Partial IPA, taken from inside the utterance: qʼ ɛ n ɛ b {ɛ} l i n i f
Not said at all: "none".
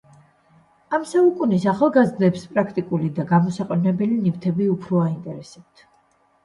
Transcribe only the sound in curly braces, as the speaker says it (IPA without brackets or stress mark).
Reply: ɛ